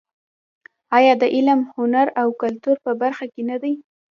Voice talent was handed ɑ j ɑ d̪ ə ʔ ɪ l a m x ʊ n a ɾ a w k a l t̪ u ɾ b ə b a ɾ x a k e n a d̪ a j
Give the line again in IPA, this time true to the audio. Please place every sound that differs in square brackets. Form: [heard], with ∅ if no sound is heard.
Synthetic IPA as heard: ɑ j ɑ d̪ ə ʔ ɪ l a m [h] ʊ n a ɾ a w k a l t̪ u ɾ [p] ə b a ɾ x a k e n a d̪ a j